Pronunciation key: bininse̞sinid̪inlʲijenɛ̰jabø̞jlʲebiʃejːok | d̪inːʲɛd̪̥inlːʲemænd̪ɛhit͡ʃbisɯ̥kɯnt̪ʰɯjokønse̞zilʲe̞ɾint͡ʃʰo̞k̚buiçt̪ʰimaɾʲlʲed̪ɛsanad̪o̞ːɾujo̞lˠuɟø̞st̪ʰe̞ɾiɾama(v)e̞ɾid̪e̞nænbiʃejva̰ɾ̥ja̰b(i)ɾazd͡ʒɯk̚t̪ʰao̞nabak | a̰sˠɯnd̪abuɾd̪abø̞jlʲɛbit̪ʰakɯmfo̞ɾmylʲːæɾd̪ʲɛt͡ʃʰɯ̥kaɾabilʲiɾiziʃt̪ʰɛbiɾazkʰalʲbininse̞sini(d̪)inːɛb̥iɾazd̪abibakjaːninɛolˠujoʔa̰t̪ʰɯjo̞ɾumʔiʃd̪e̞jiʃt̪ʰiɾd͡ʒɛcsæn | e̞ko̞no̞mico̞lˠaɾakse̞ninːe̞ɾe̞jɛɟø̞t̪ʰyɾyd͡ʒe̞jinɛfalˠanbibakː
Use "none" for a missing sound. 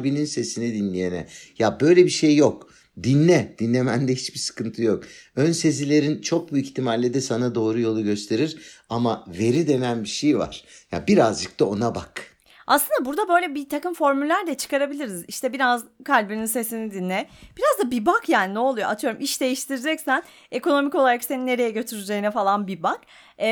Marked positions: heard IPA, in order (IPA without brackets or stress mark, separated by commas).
v, i, d̪